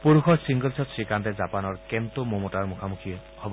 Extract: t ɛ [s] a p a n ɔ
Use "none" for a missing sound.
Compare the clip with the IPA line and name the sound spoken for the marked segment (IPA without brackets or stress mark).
z